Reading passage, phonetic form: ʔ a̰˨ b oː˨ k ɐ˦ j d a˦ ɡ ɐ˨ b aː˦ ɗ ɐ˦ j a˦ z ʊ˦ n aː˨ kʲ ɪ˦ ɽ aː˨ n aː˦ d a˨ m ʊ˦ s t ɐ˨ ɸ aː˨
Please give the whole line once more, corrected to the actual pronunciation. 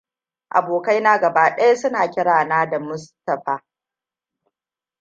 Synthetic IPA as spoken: ʔ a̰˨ b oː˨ k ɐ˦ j n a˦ ɡ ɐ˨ b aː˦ ɗ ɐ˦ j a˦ s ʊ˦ n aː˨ kʲ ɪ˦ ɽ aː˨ n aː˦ d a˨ m ʊ˦ s t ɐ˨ ɸ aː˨

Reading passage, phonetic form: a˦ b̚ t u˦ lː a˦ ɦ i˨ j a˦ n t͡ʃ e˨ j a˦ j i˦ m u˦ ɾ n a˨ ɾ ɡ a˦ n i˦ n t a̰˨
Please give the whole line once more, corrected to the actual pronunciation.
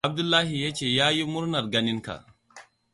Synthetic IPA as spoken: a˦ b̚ d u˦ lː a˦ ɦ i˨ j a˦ t͡ʃ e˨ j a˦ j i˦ m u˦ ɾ n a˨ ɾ ɡ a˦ n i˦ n k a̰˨

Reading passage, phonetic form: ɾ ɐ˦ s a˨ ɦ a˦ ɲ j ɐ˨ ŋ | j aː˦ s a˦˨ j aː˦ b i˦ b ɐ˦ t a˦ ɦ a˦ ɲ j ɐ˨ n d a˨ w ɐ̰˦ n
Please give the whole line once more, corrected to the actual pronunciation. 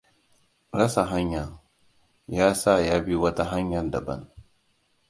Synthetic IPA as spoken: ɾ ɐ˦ s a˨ ɦ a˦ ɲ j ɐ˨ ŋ | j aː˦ s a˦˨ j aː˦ b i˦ w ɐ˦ t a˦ ɦ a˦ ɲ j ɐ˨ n d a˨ b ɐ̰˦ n

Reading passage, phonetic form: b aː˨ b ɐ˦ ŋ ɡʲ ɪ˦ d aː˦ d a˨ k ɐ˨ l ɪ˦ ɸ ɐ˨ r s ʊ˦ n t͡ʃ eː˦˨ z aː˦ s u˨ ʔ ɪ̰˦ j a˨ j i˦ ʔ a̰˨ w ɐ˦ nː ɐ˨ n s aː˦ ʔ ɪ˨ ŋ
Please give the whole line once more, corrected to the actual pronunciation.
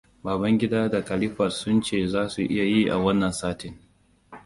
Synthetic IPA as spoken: b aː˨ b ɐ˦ ŋ ɡʲ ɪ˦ d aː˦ d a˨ k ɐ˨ l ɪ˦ ɸ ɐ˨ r s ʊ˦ n t͡ʃ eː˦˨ z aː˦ s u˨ ʔ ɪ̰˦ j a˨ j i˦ ʔ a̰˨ w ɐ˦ nː ɐ˨ n s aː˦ t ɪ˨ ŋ

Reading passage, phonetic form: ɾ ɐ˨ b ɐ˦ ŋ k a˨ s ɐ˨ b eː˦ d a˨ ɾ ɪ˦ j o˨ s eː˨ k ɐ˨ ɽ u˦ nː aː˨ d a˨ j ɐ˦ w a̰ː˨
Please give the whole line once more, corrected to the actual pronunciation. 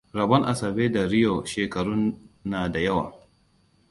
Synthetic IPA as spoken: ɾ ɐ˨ b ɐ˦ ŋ ʔ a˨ s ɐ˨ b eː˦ d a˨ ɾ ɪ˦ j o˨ ʃ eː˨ k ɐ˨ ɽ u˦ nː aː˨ d a˨ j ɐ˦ w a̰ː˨

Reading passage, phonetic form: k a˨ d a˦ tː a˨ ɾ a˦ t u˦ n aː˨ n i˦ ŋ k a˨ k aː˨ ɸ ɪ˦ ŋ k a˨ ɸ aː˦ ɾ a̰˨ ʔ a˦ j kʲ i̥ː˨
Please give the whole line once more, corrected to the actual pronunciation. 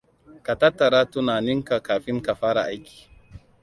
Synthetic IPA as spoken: k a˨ t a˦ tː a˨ ɾ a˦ t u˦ n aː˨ n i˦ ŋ k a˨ k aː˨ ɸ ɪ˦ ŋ k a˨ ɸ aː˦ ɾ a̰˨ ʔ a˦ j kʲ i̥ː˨

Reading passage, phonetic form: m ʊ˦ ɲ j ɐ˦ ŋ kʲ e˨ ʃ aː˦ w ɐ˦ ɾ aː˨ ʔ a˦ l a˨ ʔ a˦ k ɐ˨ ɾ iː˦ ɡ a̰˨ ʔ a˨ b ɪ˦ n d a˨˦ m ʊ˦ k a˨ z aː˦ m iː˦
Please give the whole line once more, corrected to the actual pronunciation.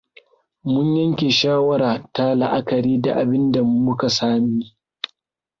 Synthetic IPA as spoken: m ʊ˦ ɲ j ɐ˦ ŋ kʲ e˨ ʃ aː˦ w ɐ˦ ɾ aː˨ t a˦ l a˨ ʔ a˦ k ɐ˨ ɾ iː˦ d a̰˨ ʔ a˨ b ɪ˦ n d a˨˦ m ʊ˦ k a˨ s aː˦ m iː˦

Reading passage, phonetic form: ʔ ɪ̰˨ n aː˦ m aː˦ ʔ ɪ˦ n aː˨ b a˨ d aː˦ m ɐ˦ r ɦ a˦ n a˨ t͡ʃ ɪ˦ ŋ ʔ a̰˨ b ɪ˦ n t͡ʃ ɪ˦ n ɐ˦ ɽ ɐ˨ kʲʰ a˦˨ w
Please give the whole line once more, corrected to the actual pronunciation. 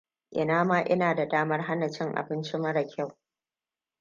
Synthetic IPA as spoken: ʔ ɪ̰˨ n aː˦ m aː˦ ʔ ɪ˦ n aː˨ d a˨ d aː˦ m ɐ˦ r ɦ a˦ n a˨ t͡ʃ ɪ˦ ŋ ʔ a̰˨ b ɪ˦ n t͡ʃ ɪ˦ m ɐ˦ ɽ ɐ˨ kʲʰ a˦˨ w

